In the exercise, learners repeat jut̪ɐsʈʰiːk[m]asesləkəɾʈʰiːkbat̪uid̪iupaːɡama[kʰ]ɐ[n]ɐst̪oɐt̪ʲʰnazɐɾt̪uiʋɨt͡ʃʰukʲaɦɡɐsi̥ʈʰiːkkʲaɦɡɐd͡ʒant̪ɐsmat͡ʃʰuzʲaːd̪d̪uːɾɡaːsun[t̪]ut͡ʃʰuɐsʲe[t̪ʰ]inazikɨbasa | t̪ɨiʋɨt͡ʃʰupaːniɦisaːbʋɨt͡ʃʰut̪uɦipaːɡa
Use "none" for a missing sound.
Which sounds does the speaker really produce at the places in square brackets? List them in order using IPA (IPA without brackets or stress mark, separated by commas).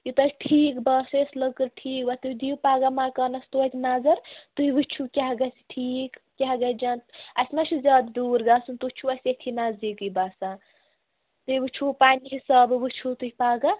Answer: b, k, n, t̪, t̪ʰ